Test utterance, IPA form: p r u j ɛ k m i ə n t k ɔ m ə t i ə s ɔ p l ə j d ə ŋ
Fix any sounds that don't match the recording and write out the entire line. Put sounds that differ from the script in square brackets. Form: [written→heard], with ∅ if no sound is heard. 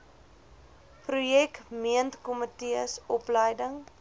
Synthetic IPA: p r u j ɛ k m i ə n t k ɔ m ə t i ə s ɔ p l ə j d ə ŋ